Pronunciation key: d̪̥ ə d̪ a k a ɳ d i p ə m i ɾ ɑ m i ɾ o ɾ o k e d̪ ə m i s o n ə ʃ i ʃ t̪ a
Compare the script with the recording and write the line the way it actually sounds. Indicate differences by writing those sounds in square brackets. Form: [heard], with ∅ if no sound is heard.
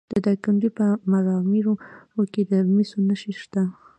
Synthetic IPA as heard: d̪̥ ə d̪ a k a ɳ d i p ə m [a] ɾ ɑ m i ɾ o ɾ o k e d̪ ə m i s o n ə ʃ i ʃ t̪ a